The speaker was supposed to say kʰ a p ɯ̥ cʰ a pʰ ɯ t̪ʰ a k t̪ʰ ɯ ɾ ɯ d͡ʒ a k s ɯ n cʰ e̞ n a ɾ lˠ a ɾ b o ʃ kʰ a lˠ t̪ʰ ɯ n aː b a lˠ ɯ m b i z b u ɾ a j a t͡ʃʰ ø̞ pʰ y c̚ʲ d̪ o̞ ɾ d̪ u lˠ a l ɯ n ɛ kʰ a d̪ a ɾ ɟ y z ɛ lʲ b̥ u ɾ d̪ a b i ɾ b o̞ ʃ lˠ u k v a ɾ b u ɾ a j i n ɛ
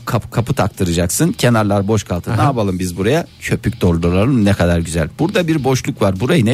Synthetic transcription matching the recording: kʰ a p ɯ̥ kʰ a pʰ ɯ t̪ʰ a k t̪ʰ ɯ ɾ ɯ d͡ʒ a k s ɯ n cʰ e̞ n a ɾ lˠ a ɾ b o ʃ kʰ a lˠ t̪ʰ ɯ n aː b a lˠ ɯ m b i z b u ɾ a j a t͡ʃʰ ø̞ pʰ y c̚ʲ d̪ o̞ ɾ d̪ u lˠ a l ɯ n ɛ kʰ a d̪ a ɾ ɟ y z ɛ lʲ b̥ u ɾ d̪ a b i ɾ b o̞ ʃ lˠ u k v a ɾ b u ɾ a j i n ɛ